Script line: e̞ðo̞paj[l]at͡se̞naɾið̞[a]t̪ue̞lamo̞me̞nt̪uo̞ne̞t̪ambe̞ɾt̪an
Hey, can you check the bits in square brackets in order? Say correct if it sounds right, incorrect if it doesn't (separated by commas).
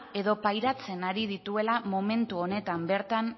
incorrect, incorrect